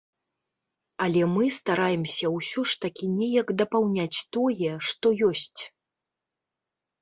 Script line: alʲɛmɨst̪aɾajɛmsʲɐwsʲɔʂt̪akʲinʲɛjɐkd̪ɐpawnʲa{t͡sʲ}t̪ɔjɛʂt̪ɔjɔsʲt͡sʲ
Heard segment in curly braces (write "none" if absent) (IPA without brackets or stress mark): t͡sʲ